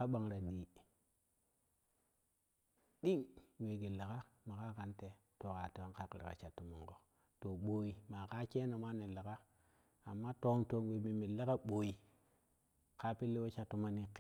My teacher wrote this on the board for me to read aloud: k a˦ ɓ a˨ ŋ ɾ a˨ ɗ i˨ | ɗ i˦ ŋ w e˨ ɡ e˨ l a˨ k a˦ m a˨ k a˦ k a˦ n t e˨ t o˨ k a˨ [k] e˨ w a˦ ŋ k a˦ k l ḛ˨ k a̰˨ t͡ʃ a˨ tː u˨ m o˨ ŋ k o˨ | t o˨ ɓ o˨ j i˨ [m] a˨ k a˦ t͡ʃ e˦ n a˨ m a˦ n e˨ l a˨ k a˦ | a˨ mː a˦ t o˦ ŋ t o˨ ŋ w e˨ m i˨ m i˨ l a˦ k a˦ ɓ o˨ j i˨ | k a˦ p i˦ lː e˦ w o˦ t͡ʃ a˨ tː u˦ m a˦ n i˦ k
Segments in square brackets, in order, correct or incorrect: incorrect: t, correct

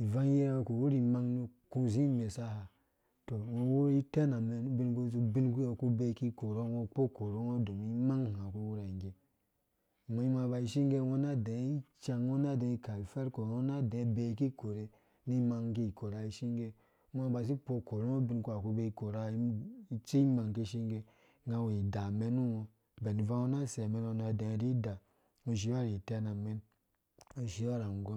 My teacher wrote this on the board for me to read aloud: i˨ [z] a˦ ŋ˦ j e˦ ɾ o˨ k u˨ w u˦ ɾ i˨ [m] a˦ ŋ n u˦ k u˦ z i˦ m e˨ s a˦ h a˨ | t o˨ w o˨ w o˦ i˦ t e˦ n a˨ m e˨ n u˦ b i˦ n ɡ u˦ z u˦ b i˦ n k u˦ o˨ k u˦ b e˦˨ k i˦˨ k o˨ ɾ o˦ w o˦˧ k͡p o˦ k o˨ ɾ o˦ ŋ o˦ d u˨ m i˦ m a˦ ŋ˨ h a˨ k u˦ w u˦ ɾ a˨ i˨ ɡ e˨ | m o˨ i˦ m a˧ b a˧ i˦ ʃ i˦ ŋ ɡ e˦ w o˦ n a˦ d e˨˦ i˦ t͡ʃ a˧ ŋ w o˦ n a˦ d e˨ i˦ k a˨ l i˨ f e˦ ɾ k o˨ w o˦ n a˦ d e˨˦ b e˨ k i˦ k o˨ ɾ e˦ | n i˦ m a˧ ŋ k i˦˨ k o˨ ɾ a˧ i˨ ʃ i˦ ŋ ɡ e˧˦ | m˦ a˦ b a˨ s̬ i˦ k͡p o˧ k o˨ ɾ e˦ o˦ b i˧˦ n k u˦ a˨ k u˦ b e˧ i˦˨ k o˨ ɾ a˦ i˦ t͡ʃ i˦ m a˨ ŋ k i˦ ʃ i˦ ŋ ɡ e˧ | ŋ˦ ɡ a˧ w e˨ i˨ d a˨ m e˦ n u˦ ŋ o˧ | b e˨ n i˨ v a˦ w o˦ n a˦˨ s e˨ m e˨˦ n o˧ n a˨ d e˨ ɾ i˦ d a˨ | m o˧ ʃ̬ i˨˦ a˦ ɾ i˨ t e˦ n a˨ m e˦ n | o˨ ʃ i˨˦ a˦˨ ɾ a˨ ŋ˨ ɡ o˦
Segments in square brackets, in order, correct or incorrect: incorrect: v, correct

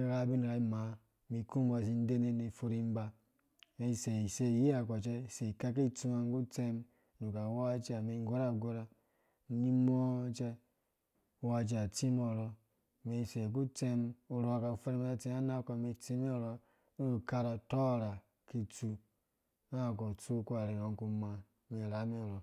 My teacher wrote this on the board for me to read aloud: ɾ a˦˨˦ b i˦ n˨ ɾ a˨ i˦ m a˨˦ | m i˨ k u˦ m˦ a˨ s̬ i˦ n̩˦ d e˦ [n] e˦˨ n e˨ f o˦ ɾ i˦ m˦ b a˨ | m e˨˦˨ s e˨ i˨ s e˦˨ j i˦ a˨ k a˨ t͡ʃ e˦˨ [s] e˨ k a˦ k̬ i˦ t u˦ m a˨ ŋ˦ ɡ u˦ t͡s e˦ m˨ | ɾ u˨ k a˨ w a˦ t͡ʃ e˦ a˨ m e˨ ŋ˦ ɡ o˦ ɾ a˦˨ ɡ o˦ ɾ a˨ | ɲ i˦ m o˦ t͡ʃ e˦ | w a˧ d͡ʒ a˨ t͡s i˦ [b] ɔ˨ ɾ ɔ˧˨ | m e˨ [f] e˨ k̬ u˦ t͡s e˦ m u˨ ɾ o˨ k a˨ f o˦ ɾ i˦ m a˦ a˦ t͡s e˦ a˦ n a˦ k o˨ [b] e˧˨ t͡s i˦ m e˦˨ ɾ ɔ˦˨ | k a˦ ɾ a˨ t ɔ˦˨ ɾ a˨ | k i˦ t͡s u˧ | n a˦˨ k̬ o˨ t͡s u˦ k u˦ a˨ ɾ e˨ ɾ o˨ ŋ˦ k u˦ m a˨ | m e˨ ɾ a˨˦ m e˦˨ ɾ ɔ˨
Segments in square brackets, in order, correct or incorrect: correct, correct, incorrect: m, incorrect: s, incorrect: m

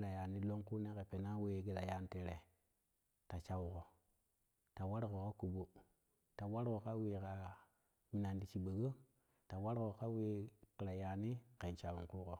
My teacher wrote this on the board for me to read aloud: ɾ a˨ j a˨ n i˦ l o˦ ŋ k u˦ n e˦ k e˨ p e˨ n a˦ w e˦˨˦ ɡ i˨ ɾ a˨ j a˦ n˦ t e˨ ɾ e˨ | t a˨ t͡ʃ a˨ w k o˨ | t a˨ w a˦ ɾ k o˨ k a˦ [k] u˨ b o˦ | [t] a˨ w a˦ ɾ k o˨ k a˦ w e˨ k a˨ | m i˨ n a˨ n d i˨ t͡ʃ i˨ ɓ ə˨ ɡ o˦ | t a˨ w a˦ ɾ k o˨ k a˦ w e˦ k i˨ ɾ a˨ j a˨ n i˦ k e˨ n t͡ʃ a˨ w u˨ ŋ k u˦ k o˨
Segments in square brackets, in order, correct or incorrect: correct, correct

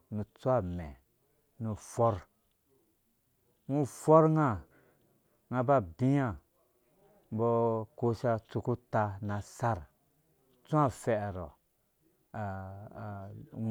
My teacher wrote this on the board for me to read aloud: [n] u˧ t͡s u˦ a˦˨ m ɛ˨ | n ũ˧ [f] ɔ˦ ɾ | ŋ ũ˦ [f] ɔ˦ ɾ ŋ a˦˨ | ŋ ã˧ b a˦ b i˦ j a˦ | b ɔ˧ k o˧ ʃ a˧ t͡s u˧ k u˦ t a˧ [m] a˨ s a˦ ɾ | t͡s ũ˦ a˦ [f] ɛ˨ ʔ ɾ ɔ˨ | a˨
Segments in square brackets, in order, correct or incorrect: correct, correct, correct, incorrect: n, correct

